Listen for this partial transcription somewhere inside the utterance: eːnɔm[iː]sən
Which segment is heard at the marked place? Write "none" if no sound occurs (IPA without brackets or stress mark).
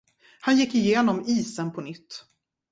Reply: iː